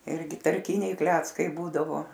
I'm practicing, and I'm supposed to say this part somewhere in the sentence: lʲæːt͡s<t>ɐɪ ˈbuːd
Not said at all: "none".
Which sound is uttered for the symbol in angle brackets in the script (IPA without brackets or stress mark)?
k